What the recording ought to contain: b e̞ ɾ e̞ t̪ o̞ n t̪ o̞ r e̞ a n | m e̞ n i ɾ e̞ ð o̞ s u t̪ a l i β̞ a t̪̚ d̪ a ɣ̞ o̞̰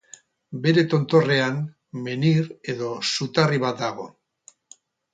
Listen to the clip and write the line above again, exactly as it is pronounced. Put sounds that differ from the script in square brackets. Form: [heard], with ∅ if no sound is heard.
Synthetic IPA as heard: b e̞ ɾ e̞ t̪ o̞ n t̪ o̞ r e̞ a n | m e̞ n i ɾ e̞ ð o̞ s u t̪ a [r] i β̞ a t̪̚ d̪ a ɣ̞ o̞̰